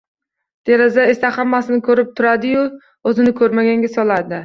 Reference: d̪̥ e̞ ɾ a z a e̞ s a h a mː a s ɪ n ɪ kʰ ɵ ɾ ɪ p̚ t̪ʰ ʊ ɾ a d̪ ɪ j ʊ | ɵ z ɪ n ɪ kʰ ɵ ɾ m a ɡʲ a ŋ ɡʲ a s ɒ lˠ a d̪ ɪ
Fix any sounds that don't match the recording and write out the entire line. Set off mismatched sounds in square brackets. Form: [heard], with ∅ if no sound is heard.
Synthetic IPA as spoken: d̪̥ e̞ ɾ a z a e̞ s a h a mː a s ɪ n ɪ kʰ ɵ ɾ ɪ p̚ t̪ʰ ʊ ɾ a d̪ ɪ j ʊ | ɵ z ɪ n ɪ kʰ ɵ ɾ m a ɡʲ a ŋ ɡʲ a s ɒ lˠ a d̪ ɪ